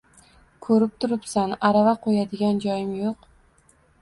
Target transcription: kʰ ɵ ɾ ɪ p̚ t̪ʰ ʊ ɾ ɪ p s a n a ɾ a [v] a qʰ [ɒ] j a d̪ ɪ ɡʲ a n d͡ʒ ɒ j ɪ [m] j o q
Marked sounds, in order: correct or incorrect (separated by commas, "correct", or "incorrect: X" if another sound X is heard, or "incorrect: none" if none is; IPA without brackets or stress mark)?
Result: correct, incorrect: o, correct